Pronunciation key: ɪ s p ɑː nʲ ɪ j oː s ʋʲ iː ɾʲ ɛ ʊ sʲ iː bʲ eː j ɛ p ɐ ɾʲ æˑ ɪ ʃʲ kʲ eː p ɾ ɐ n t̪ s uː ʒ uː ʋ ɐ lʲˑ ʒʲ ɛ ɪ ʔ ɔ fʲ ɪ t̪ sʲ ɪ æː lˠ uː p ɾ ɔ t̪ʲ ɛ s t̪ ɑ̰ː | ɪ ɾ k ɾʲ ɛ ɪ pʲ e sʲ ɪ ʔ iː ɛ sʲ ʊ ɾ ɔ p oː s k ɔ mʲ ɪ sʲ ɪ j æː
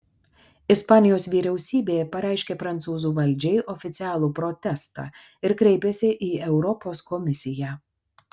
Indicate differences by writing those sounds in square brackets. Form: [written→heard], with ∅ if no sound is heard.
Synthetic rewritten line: ɪ s p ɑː nʲ ɪ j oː s ʋʲ iː ɾʲ ɛ ʊ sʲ iː bʲ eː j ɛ p ɐ ɾʲ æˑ ɪ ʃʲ kʲ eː p ɾ ɐ n t̪ s uː [ʒ→z] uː ʋ ɐ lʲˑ [ʒʲ→d͡ʒʲ] ɛ ɪ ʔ ɔ fʲ ɪ t̪ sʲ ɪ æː lˠ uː p ɾ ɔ t̪ʲ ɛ s t̪ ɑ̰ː | ɪ ɾ k ɾʲ ɛ ɪ pʲ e sʲ ɪ ʔ iː ɛ [sʲ→∅] ʊ ɾ ɔ p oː s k ɔ mʲ ɪ sʲ ɪ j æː